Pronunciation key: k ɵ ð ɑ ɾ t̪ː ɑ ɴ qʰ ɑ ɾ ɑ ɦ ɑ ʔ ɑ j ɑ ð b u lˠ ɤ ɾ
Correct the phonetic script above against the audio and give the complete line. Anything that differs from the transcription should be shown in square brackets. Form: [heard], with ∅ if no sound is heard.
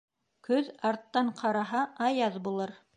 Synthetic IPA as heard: k ɵ ð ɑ ɾ t̪ː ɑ ɴ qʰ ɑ ɾ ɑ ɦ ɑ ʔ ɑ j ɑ ð b u lˠ ɤ ɾ